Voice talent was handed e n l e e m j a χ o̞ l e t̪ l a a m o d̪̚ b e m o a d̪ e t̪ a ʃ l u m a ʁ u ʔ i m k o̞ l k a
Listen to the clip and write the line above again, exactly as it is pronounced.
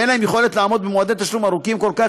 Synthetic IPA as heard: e n l a e m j e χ o̞ l e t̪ l a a m o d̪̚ b e m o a d̪ e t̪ a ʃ l u m a ʁ u k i m k o̞ l k a